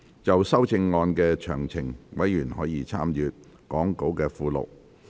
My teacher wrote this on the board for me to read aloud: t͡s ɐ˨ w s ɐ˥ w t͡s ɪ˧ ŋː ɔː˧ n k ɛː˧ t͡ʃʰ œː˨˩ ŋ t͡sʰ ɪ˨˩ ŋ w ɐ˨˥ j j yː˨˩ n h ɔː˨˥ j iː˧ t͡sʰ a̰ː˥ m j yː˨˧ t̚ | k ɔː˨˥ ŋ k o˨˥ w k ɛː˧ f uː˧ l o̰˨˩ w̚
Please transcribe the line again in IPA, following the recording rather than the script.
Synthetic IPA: t͡s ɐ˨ w s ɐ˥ w t͡s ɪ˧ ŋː ɔː˧ n k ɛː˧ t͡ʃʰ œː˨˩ ŋ t͡sʰ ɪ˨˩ ŋ w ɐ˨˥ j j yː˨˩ n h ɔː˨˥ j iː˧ t͡sʰ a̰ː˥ m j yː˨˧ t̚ | k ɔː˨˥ ŋ k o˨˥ w k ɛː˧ f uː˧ l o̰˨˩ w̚

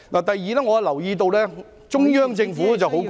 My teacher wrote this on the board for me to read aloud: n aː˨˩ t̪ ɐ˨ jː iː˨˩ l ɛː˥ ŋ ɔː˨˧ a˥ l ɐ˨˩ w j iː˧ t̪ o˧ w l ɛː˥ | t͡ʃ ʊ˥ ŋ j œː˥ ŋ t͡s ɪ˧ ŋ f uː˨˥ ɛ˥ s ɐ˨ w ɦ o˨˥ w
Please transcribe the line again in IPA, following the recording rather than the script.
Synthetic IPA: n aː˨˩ t̪ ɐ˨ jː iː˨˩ l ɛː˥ ŋ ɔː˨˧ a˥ l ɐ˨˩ w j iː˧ t̪ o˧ w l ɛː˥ | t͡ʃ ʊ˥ ŋ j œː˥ ŋ t͡s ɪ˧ ŋ f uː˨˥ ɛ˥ t͡s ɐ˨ w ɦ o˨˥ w

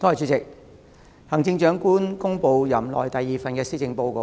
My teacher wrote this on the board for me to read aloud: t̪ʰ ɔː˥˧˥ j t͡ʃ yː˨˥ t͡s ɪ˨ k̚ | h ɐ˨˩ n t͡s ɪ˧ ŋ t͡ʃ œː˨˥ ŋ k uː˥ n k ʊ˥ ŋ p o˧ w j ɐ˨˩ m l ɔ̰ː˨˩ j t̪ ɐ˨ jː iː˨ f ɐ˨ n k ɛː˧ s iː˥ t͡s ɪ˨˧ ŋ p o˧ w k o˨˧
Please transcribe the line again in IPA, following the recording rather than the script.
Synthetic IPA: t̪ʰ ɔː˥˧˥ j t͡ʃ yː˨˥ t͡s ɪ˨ k̚ | h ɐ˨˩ ŋ t͡s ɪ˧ ŋ t͡ʃ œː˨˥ ŋ k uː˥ n k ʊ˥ ŋ p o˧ w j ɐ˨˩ m l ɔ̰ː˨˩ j t̪ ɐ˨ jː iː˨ f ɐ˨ n k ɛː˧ s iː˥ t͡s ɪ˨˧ ŋ p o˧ w k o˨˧

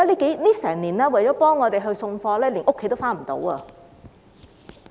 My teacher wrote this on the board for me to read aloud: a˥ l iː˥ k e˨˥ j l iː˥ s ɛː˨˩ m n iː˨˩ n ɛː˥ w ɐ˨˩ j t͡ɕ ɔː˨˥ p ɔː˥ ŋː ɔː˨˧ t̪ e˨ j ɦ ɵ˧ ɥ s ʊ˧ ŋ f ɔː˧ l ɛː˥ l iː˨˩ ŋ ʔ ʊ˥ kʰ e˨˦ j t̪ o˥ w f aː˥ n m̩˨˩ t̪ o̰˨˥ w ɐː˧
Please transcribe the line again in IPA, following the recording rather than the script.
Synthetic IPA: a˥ l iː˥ k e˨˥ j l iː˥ s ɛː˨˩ ŋ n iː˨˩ n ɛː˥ w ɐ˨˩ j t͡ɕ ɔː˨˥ p ɔː˥ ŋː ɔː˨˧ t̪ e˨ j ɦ ɵ˧ ɥ s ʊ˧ ŋ f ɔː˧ l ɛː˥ l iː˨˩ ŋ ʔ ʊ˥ kʰ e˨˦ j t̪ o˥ w f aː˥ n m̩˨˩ t̪ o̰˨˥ w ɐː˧

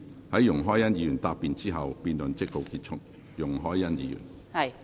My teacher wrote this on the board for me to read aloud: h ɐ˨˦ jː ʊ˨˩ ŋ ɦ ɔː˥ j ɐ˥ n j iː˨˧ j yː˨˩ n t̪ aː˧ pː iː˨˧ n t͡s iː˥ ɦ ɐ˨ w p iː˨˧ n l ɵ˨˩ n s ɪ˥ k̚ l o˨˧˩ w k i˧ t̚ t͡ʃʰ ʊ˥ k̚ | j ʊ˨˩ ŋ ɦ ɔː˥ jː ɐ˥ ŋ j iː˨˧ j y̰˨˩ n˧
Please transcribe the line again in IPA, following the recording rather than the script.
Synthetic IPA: h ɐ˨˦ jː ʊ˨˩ ŋ ɦ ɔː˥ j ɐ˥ n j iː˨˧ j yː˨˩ n t̪ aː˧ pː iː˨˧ n t͡s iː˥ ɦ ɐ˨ w p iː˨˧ n l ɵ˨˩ n t͡s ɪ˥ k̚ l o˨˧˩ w k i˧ t̚ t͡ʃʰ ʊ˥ k̚ | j ʊ˨˩ ŋ ɦ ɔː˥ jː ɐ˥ n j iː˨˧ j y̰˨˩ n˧

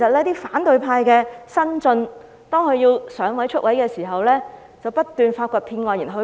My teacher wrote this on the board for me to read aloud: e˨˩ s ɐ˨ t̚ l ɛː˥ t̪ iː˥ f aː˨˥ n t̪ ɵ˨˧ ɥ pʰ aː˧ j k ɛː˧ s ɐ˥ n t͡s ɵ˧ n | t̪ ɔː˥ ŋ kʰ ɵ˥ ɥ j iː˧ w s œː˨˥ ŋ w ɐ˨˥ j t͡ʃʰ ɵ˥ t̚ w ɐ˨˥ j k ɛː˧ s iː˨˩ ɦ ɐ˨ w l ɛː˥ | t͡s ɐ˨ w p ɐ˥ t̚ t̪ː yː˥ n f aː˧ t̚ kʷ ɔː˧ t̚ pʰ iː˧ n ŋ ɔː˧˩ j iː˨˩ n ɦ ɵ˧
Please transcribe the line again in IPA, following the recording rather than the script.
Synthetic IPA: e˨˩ s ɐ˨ t̚ l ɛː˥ t̪ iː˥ f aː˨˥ n t̪ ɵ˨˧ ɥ pʰ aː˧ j k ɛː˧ s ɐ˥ n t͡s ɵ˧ n | t̪ ɔː˥ ŋ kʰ ɵ˧ ɥ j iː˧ w s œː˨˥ ŋ w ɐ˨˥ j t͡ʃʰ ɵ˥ t̚ w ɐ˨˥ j k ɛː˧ s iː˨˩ ɦ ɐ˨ w l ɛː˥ | t͡s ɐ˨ w p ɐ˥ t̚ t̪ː yː˨ n f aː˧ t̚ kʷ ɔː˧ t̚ pʰ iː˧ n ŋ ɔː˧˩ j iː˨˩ n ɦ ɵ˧

